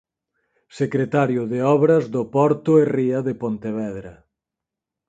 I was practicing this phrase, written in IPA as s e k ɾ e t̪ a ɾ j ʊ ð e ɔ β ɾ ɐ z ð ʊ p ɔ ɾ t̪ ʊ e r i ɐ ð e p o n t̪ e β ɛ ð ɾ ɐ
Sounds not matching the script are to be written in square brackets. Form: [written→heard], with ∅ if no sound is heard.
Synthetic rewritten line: s e k ɾ e t̪ a ɾ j ʊ ð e ɔ β ɾ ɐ z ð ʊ p ɔ ɾ t̪ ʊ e r i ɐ ð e p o n t̪ e β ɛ ð ɾ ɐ